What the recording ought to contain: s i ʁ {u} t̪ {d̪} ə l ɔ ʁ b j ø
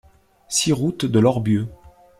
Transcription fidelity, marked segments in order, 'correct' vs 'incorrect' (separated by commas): correct, correct